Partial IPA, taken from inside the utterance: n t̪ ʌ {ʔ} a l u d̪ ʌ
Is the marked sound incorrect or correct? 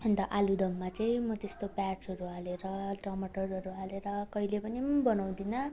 correct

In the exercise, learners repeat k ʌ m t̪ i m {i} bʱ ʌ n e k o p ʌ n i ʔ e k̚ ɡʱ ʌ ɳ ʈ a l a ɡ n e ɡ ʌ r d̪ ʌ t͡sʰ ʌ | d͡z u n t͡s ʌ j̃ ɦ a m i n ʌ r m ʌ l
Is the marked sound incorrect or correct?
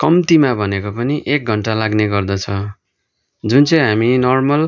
incorrect: a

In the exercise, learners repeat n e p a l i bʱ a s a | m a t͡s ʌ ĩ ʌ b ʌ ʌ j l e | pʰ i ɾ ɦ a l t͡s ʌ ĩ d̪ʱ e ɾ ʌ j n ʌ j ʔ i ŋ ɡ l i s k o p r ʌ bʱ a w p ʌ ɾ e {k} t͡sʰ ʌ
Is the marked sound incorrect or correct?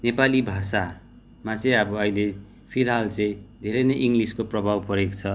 correct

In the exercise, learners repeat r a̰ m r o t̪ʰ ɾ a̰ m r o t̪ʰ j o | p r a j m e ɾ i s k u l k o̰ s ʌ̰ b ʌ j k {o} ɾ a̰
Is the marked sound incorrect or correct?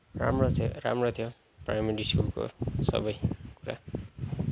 incorrect: u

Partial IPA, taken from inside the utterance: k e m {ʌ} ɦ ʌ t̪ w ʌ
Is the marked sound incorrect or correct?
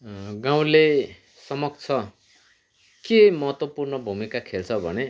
correct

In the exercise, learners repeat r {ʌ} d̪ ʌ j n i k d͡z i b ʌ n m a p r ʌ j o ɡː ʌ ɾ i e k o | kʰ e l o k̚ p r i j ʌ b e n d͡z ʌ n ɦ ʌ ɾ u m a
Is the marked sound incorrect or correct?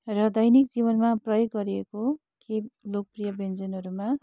correct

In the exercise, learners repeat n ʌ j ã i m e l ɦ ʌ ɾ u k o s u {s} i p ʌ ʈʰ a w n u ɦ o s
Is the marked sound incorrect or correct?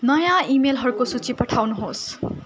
incorrect: t͡s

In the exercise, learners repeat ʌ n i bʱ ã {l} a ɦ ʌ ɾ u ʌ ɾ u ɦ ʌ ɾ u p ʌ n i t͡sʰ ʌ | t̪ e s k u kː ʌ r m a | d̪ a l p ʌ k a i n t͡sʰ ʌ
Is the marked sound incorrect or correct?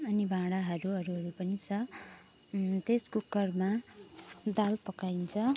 incorrect: ɽ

